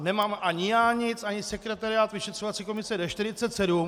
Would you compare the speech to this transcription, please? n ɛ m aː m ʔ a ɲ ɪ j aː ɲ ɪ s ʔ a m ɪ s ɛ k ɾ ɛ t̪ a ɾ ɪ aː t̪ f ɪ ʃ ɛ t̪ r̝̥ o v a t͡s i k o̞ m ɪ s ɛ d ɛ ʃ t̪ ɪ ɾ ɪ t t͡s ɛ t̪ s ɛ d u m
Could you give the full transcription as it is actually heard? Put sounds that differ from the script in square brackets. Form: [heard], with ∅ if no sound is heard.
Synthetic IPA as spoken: n ɛ m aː m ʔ a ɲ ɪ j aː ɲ ɪ [t͡s] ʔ a [ɲ] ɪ s ɛ k ɾ ɛ t̪ a ɾ ɪ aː t̪ [v] ɪ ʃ ɛ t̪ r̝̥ o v a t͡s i k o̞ m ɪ s ɛ d ɛ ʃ t̪ ɪ ɾ ɪ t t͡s ɛ t̪ s ɛ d u m